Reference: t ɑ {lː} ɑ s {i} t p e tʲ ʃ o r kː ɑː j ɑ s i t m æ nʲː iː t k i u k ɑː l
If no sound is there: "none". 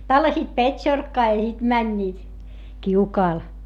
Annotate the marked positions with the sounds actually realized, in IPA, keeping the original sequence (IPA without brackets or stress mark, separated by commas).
lː, iː